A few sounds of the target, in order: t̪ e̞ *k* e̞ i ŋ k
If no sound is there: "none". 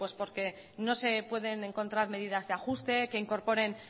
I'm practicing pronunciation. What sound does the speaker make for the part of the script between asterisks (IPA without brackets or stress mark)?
k